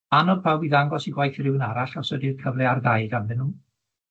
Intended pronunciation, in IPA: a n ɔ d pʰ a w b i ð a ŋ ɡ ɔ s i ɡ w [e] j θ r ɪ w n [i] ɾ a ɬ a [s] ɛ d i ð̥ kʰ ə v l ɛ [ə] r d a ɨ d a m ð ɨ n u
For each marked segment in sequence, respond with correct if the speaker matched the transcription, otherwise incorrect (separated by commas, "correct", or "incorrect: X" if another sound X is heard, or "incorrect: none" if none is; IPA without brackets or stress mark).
incorrect: a, incorrect: a, correct, incorrect: a